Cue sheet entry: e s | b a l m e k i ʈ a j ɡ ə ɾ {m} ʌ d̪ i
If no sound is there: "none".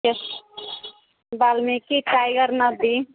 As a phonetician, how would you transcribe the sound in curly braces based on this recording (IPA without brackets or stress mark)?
n